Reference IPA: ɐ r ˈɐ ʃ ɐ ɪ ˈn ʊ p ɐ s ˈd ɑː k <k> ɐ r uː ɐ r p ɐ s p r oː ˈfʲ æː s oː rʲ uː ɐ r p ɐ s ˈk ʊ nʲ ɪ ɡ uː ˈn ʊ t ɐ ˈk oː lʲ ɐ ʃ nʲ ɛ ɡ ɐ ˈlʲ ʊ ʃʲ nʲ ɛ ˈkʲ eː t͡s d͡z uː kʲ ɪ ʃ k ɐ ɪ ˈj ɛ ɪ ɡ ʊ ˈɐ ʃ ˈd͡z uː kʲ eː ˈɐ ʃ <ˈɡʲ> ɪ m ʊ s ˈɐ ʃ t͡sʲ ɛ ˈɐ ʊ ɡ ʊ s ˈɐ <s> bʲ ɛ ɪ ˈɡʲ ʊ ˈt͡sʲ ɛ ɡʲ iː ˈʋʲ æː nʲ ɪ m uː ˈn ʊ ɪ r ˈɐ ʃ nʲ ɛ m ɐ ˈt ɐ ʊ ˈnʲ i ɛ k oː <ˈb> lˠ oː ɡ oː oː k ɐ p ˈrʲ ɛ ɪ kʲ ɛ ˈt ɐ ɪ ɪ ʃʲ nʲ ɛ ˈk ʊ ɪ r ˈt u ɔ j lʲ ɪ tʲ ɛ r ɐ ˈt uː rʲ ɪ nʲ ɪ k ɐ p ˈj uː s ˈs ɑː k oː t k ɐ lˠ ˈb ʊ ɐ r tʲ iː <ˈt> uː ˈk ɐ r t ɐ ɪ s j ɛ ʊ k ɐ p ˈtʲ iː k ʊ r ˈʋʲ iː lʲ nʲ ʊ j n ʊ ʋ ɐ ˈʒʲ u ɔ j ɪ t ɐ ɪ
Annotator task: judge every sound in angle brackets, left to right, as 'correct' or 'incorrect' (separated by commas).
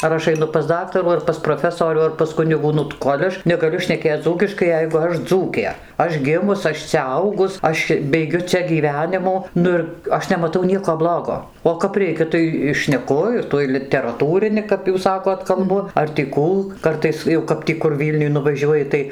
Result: incorrect, correct, incorrect, correct, incorrect